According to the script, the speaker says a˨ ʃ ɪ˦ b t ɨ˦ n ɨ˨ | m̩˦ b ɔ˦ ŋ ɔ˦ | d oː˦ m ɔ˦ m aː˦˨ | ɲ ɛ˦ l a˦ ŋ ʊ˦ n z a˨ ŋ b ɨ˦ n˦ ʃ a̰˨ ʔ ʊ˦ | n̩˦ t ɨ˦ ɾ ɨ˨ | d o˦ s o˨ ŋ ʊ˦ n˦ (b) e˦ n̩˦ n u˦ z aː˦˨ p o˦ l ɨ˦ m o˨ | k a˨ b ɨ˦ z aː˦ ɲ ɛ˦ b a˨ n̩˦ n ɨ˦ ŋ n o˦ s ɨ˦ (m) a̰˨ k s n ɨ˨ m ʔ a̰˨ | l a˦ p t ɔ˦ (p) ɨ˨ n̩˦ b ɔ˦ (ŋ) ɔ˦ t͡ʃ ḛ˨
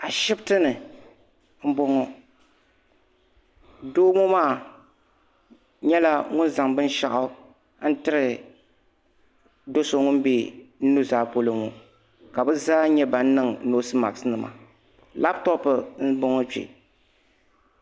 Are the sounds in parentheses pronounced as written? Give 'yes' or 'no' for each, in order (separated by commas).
yes, yes, yes, yes